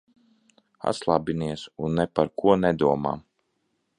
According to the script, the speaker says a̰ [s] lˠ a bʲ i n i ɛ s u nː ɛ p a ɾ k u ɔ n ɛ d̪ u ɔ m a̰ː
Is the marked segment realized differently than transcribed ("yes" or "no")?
no